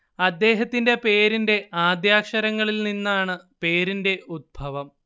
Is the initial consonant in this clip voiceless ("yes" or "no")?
no